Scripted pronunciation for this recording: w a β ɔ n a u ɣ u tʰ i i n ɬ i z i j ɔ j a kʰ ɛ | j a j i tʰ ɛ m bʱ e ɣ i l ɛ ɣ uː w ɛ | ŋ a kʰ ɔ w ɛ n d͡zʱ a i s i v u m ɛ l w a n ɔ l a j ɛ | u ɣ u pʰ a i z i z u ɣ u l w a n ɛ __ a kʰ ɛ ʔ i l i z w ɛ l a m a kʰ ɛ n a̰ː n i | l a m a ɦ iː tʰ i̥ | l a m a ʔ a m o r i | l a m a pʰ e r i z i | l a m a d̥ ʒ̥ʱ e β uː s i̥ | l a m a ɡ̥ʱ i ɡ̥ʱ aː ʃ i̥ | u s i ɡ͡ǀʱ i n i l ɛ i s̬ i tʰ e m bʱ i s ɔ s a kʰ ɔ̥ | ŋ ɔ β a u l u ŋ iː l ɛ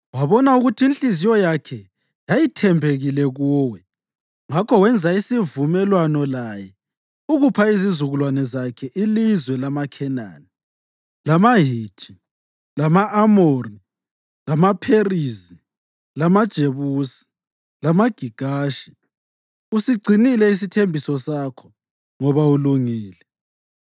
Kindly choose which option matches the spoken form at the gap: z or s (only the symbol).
z